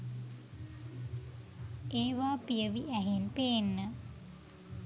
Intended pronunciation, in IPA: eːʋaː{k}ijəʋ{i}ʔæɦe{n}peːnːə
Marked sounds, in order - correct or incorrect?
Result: incorrect, correct, correct

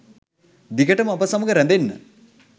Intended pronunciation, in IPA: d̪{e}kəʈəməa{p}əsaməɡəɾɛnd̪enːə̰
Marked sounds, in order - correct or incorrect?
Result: incorrect, correct

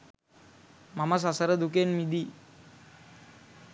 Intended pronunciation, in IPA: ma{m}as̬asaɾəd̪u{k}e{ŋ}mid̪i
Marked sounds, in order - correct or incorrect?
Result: correct, correct, incorrect

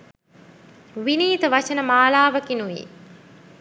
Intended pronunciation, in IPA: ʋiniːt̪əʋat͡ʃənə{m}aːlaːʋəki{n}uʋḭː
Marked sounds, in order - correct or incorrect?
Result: correct, correct

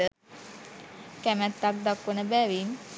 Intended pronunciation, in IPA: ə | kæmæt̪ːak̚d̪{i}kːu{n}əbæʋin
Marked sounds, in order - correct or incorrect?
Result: incorrect, correct

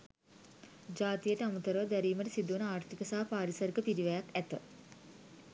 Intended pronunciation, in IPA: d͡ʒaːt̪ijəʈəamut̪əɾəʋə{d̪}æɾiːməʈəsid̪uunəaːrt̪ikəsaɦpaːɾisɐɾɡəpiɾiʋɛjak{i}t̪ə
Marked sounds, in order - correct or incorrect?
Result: correct, incorrect

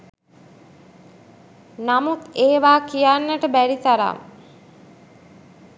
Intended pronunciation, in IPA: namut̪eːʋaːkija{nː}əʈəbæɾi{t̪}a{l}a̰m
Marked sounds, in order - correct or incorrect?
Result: correct, correct, incorrect

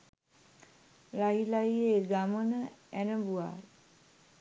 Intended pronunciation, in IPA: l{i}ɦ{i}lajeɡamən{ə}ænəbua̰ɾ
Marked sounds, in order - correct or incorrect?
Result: incorrect, correct, correct

